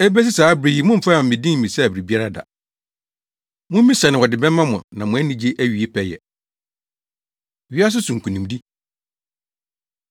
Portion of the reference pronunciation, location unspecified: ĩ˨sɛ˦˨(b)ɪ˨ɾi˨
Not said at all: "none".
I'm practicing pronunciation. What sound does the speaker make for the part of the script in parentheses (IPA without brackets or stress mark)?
b